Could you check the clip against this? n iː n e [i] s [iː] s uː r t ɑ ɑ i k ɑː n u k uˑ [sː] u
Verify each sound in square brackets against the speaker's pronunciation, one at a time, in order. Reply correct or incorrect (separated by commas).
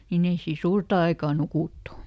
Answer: correct, correct, incorrect